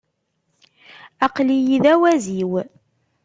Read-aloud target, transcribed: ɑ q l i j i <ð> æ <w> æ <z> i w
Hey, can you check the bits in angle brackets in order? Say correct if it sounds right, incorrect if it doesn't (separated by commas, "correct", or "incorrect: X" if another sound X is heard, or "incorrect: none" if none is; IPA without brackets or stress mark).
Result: correct, correct, correct